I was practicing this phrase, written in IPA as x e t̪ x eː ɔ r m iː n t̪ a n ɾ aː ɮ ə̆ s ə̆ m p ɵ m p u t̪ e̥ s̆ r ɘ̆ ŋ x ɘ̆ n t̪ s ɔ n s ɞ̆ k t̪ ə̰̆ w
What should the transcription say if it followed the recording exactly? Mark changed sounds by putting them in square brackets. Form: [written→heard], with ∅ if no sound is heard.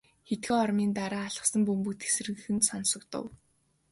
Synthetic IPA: x e t̪ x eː ɔ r m iː n t̪ a [n→∅] ɾ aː ɮ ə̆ s ə̆ m p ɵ m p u t̪ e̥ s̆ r ɘ̆ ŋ x ɘ̆ n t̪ s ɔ n s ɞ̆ k t̪ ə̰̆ w